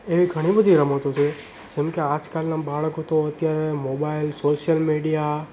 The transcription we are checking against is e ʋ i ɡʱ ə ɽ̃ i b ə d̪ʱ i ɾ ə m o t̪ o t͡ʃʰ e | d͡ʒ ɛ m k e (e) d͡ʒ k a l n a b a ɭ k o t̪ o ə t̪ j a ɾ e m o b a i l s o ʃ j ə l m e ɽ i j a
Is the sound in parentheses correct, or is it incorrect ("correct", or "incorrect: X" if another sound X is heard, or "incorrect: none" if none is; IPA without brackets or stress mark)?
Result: incorrect: a